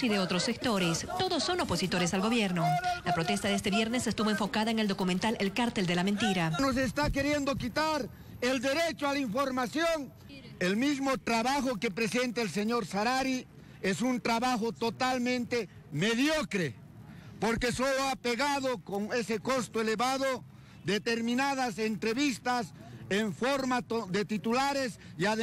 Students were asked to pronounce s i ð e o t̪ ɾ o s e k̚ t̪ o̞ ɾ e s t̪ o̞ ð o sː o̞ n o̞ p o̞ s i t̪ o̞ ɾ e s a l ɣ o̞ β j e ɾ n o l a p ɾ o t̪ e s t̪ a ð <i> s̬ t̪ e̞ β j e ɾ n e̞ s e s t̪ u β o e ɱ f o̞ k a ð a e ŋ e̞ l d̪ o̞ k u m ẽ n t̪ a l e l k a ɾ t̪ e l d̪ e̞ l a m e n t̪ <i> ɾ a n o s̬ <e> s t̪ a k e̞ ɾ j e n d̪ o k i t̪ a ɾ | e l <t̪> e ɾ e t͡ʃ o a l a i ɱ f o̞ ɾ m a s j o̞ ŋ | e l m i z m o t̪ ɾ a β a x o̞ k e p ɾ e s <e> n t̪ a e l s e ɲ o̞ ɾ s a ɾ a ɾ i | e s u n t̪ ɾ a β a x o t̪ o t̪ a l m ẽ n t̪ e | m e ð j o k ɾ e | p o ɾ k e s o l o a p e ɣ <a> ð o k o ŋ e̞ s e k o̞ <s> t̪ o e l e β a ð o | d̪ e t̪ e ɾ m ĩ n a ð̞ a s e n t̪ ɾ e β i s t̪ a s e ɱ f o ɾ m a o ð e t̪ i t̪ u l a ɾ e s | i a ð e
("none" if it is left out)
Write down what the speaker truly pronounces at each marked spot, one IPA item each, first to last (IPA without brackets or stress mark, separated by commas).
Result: e, i, e, d̪, e, a, s